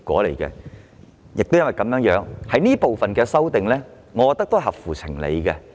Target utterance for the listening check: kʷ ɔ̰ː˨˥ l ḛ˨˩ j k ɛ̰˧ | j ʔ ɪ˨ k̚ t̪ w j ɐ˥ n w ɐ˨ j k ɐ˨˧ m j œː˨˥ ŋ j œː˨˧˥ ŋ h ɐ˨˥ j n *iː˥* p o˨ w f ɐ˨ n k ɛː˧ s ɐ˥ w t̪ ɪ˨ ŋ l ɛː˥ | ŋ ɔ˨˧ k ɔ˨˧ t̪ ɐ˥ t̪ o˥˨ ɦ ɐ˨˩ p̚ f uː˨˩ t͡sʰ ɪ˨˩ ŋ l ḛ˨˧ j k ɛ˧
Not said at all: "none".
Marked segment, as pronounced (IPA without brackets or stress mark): iː˥